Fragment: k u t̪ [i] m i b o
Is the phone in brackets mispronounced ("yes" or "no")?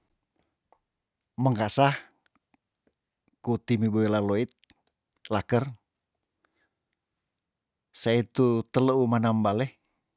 no